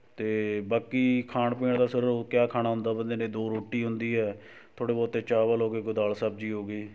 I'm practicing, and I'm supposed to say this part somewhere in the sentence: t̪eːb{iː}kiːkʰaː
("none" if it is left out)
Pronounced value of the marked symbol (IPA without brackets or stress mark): aː